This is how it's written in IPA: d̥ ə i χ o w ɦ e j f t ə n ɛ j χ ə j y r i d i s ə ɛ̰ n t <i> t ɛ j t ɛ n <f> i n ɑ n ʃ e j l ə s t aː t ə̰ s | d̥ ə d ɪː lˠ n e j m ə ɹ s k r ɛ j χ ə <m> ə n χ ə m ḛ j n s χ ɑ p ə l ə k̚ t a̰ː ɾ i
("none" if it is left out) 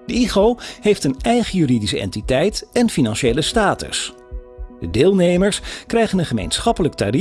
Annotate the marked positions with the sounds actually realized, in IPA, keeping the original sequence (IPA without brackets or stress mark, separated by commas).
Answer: i, f, n